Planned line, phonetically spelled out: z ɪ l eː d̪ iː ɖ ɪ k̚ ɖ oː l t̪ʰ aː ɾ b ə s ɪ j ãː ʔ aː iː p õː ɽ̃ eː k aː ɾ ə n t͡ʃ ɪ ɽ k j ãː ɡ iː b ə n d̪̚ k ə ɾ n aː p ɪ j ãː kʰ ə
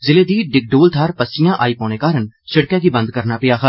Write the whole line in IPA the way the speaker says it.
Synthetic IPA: z ɪ l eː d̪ iː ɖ ɪ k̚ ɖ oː l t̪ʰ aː ɾ p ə s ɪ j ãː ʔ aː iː p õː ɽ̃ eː k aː ɾ ə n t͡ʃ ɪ ɽ k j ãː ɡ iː b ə n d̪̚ k ə ɾ n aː p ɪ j aː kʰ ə

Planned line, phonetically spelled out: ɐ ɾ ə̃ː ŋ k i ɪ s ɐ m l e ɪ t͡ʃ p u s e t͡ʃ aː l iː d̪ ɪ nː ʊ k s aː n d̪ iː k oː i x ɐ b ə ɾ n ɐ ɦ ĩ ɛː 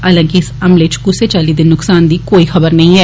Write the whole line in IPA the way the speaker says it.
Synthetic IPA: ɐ l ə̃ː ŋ k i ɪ s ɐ m l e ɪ t͡ʃ k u s e t͡ʃ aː l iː d̪ ɪ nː ʊ k s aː n d̪ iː k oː i x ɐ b ə ɾ n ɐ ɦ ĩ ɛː

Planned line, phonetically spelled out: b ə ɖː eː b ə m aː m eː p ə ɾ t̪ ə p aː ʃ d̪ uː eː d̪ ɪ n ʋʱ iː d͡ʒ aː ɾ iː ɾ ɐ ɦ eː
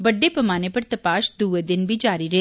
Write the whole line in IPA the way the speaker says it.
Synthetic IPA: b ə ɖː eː p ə m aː n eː p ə ɾ t̪ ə p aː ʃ d̪ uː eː d̪ ɪ n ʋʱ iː d͡ʒ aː ɾ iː ɾ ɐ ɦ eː

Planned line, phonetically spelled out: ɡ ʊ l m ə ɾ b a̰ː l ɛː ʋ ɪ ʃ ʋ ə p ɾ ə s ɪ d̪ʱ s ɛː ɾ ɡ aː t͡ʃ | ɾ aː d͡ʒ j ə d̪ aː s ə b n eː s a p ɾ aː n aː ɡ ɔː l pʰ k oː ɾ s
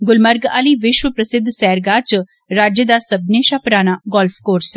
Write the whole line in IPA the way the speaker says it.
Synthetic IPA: ɡ ʊ l m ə ɾ ɡ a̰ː l iː ʋ ɪ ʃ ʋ ə p ɾ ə s ɪ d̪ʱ s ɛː ɾ ɡ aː t͡ʃ | ɾ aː d͡ʒ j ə d̪ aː s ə b n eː ʃ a p ɾ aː n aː ɡ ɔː l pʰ k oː ɾ s

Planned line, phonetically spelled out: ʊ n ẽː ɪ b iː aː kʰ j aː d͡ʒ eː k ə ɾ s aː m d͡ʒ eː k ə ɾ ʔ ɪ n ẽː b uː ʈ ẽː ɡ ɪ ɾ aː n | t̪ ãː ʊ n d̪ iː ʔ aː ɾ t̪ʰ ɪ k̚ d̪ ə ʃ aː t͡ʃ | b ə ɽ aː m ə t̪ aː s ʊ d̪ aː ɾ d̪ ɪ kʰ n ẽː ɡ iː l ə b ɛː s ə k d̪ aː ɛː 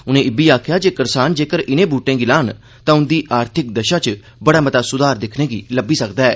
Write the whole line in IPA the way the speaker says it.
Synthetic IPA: ʊ n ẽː ɪ b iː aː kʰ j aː d͡ʒ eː k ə ɾ s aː n d͡ʒ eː k ə ɾ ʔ ɪ n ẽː b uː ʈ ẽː ɡ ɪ l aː n | t̪ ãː ʊ n d̪ iː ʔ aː ɾ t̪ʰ ɪ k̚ d̪ ə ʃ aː t͡ʃ | b ə ɽ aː m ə t̪ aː s ʊ d̪ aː ɾ d̪ ɪ kʰ n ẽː ɡ iː l ə b iː s ə k d̪ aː ɛː

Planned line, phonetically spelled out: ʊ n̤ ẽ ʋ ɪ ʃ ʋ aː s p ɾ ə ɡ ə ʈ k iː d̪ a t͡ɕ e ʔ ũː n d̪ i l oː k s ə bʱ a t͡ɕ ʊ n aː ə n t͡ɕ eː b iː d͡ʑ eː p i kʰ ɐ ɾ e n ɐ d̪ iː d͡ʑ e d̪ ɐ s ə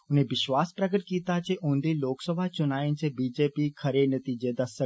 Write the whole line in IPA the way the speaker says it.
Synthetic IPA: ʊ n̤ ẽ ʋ ɪ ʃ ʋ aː s p ɾ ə ɡ ə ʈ k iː t̪ a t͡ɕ e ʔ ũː n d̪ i l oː k s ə bʱ a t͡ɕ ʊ n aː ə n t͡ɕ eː b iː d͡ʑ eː p i kʰ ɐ ɾ e n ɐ t̪ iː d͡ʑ e d̪ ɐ s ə

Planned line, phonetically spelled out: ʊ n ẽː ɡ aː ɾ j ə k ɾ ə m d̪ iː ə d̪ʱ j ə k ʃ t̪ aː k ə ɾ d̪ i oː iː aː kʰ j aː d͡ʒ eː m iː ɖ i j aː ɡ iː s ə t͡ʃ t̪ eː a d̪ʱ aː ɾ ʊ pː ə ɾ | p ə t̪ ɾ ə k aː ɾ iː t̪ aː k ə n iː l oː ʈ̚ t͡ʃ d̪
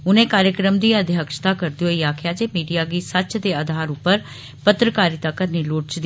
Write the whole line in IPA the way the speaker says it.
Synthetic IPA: ʊ n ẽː k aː ɾ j ə k ɾ ə m d̪ iː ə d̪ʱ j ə k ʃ t̪ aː k ə ɾ d̪ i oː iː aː kʰ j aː d͡ʒ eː m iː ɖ i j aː ɡ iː s ə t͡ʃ d̪ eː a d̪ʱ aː ɾ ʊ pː ə ɾ | p ə t̪ ɾ ə k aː ɾ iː t̪ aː k ə n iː l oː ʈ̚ t͡ʃ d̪

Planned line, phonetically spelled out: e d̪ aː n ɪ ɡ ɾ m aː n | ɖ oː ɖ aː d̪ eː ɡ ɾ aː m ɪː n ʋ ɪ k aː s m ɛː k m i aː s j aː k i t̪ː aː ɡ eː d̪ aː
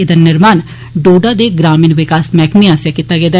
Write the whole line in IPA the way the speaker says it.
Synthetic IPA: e d̪ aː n ɪ ɾ m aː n | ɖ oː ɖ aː d̪ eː ɡ ɾ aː m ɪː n ʋ ɪ k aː s m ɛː k m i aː s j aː k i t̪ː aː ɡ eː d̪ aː

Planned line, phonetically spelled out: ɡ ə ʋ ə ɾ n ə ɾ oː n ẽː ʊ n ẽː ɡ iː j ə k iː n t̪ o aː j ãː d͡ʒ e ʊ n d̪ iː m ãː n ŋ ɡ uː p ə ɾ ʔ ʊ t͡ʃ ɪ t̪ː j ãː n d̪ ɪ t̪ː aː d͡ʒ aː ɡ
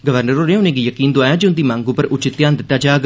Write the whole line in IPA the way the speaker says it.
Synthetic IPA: ɡ ə ʋ ə ɾ n ə ɾ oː n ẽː ʊ n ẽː ɡ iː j ə k iː n d̪ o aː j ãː d͡ʒ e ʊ n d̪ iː m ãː ŋ ɡ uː p ə ɾ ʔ ʊ t͡ʃ ɪ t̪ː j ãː n d̪ ɪ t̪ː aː d͡ʒ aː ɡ

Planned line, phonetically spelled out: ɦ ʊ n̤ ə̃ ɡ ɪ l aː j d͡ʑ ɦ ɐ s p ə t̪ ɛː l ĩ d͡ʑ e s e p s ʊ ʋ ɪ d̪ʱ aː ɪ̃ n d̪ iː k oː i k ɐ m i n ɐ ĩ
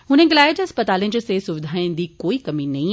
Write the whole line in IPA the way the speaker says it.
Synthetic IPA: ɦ ʊ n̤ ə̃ ɡ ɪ l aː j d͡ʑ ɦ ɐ s p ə t̪ aː l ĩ d͡ʑ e s e s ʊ ʋ ɪ d̪ʱ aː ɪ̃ n d̪ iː k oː i k ɐ m i n ɐ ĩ

